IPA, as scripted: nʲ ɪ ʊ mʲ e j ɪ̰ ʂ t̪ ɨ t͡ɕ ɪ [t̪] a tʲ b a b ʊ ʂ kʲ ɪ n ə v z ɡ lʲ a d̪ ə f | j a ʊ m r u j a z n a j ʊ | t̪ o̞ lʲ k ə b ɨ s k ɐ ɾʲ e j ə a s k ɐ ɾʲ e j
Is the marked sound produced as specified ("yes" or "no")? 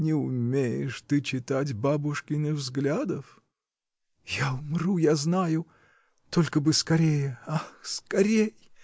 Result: yes